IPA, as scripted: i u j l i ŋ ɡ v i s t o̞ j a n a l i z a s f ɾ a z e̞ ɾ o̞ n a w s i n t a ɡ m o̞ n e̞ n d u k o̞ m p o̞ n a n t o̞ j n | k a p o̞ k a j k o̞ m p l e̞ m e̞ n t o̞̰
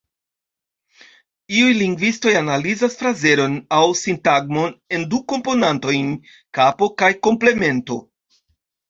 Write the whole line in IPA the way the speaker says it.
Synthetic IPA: i u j l i ŋ ɡ v i s t o̞ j a n a l i z a s f ɾ a z e̞ ɾ o̞ n a w s i n t a ɡ m o̞ n e̞ n d u k o̞ m p o̞ n a n t o̞ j n | k a p o̞ k a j k o̞ m p l e̞ m e̞ n t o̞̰